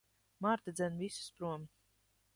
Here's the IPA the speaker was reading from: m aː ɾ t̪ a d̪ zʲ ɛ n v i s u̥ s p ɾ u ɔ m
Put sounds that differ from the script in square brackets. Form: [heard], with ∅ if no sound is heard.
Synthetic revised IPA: m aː ɾ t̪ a d̪ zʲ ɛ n v i s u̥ s p ɾ u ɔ m